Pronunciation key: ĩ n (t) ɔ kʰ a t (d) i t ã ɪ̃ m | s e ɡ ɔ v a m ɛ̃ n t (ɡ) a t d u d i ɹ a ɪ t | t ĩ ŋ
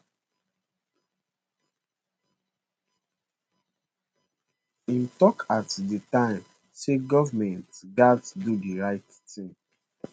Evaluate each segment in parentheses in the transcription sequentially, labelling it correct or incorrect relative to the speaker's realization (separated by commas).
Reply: correct, correct, correct